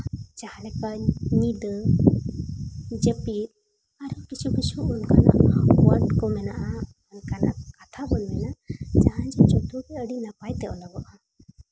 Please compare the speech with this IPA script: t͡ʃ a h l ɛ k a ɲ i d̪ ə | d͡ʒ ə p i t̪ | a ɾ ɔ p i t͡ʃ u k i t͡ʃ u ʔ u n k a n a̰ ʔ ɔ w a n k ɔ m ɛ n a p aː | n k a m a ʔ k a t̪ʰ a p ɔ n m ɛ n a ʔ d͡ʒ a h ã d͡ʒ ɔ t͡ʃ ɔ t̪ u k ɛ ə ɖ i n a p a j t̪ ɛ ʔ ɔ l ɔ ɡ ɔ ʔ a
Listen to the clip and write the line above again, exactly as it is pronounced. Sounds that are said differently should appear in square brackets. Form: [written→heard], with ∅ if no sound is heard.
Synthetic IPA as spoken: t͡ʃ a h l ɛ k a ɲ i d̪ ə | d͡ʒ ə p i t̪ | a ɾ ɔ [p→k] i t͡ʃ u k i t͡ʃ u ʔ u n k a n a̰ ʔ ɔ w a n k ɔ m ɛ n a [p→ʔ] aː | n k a [m→n] a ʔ k a t̪ʰ a [p→b] ɔ n m ɛ n a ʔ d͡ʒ a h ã d͡ʒ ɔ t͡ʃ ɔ t̪ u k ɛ ə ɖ i n a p a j t̪ ɛ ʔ ɔ l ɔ ɡ ɔ ʔ a